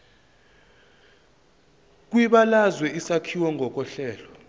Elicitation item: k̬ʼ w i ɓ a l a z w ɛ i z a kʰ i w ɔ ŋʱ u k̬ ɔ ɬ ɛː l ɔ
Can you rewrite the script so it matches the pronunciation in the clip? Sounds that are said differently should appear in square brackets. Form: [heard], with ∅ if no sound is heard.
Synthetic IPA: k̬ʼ w i ɓ a l a z w ɛ i [s] a kʰ i w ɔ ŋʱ [ɔ] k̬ ɔ ɬ ɛː l ɔ